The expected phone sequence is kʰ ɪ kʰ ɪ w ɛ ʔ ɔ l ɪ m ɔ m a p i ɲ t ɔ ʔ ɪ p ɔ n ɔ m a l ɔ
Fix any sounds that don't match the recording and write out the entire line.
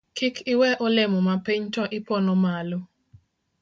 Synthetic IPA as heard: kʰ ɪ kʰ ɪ w ɛ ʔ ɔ l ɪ m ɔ m a p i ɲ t ɔ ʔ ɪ p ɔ n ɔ m a l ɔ